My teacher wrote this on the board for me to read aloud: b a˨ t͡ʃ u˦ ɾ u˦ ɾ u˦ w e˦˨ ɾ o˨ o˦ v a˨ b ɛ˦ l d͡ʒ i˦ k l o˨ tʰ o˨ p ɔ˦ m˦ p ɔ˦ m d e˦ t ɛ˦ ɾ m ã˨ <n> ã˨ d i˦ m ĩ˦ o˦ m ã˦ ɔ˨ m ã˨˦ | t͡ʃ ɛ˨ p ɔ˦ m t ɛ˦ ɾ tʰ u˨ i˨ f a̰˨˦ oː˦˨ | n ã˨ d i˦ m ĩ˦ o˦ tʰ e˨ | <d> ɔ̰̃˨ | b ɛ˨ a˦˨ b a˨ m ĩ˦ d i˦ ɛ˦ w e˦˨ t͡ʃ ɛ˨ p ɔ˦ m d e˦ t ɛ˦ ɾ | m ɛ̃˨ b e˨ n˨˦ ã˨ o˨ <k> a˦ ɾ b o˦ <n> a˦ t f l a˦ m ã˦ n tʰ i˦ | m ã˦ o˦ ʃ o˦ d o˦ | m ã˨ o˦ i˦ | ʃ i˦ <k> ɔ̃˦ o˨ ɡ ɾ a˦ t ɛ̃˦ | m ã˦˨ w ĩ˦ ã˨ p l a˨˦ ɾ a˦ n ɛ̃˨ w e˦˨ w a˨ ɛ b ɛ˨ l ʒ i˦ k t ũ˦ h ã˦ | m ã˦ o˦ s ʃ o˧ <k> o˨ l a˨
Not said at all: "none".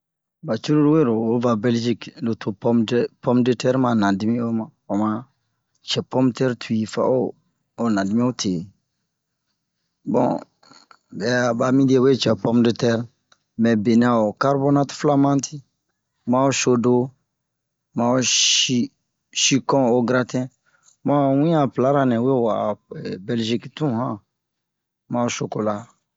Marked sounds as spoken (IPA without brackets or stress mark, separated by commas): n, b, k, n, k, k